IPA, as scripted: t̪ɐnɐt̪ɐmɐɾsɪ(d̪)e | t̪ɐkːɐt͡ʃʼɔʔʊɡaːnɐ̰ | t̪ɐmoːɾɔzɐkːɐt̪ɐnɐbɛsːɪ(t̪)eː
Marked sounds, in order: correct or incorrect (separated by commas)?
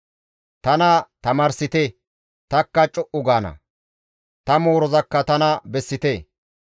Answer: incorrect, correct